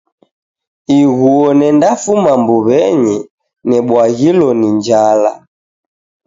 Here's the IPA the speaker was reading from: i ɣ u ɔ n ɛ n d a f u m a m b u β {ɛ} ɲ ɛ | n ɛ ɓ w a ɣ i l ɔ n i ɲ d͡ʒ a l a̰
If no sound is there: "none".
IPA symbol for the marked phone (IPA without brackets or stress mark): ɛ